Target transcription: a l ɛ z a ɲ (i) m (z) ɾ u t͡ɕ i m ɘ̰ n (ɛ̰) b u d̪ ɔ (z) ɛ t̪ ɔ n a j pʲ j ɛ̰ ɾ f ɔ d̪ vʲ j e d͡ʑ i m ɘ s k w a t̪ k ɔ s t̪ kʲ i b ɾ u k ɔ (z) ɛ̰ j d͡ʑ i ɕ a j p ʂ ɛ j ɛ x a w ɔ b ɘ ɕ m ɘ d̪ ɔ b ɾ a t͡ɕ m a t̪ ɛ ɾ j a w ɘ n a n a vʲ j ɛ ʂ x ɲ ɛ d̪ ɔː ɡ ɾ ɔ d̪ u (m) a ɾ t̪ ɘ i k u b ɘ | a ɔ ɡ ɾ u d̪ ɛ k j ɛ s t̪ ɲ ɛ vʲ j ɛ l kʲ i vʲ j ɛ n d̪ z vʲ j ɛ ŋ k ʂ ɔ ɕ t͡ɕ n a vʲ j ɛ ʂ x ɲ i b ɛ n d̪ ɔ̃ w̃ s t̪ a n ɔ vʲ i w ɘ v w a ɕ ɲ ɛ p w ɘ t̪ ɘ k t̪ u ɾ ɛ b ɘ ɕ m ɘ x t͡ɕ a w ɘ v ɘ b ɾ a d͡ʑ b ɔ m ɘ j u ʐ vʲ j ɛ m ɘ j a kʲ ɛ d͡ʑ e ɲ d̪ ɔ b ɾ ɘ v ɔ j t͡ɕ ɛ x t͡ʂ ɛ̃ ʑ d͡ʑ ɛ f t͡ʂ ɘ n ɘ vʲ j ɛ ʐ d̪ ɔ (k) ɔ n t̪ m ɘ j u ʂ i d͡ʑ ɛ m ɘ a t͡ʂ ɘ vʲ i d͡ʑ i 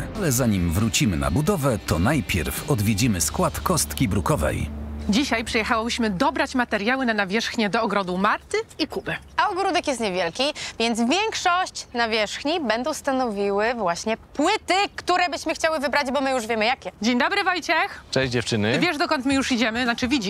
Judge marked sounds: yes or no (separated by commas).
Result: yes, no, no, no, no, yes, yes